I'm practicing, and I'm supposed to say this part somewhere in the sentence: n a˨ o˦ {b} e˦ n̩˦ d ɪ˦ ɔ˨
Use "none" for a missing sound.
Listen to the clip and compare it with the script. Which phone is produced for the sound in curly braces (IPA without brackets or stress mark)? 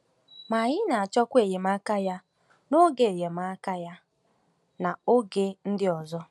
ɡ